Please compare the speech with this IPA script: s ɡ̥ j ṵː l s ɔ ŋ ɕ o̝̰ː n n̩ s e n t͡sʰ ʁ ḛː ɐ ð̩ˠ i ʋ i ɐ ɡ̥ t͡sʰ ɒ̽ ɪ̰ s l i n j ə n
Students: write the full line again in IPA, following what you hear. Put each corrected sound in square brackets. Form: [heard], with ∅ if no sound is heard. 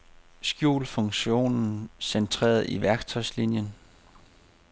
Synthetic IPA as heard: s ɡ̥ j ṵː l [f] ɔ ŋ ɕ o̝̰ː n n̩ s e n t͡sʰ ʁ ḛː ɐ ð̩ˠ i ʋ [æ] ɐ ɡ̥ t͡sʰ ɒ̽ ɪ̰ s l i n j ə n